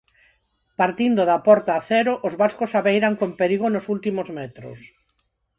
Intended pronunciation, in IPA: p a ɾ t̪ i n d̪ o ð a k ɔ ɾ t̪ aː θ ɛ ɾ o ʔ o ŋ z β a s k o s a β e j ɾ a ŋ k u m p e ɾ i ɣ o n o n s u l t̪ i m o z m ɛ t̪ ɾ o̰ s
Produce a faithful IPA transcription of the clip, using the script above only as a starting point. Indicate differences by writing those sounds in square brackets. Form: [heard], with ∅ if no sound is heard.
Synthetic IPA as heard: p a ɾ t̪ i n d̪ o ð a [p] ɔ ɾ t̪ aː θ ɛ ɾ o ʔ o [∅] z β a s k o s a β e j ɾ a ŋ k [o] m p e ɾ i ɣ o n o [∅] s u l t̪ i m o z m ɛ t̪ ɾ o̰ s